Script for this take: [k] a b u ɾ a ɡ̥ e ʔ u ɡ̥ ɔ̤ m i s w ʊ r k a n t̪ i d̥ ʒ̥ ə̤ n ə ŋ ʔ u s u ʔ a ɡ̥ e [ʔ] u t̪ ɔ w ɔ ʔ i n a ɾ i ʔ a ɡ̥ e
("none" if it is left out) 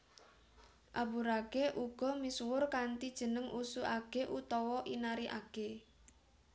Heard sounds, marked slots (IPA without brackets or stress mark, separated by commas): ʔ, ʔ